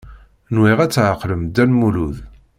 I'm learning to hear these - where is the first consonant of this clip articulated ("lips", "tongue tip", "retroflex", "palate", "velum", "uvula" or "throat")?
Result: tongue tip